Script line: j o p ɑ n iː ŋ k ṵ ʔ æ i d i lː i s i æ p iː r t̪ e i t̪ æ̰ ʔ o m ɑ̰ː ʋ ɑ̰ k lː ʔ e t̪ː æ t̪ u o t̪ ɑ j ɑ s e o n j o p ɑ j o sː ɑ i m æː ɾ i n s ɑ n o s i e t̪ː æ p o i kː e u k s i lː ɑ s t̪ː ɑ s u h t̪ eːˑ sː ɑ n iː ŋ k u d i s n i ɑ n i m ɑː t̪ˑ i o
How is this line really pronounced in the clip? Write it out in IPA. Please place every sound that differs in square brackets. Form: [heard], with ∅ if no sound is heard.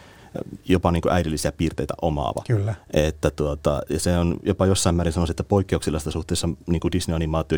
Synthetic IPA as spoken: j o p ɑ n iː ŋ k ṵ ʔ æ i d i lː i s i æ p iː r t̪ e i t̪ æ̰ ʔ o m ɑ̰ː ʋ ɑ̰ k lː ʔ e t̪ː æ t̪ u o t̪ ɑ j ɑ s e o n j o p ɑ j o sː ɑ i m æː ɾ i n s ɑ n o s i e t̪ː æ p o i kː e u k s i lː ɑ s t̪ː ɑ s u h t̪ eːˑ sː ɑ n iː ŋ k u d i s n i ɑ n i m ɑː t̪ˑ i o